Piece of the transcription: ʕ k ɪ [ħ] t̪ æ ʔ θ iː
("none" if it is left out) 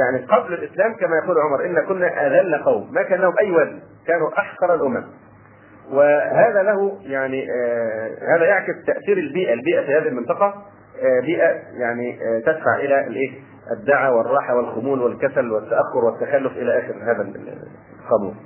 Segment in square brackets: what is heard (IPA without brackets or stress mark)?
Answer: s